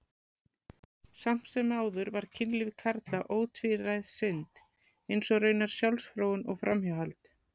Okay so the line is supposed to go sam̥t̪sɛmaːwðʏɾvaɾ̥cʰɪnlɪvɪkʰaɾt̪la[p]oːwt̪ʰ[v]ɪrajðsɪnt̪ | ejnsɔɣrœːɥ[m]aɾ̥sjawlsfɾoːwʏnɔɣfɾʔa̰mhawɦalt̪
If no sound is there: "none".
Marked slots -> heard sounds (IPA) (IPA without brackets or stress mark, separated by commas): ʔ, v, n